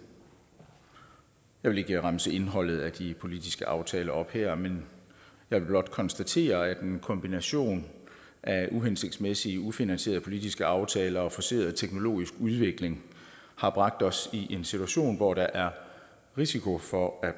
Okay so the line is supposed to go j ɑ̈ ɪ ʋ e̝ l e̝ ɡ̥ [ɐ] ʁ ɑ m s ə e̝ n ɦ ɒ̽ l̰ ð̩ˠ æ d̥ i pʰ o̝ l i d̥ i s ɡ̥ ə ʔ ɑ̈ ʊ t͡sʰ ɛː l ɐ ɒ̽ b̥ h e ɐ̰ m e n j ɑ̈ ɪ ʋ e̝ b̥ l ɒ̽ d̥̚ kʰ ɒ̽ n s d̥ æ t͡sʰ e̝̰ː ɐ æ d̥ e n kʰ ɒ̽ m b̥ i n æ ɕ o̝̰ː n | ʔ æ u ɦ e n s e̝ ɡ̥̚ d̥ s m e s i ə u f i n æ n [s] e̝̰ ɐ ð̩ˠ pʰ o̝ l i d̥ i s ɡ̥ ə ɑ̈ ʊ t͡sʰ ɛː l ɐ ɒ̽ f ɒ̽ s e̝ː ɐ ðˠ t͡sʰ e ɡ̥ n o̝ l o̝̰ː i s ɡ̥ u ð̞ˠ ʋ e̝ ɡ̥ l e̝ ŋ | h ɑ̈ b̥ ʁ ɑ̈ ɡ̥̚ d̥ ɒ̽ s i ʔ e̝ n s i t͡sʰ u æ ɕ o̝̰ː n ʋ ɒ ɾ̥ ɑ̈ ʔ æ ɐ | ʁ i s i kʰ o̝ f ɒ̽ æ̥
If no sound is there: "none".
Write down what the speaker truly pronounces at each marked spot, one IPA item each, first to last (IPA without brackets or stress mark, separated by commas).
ə, s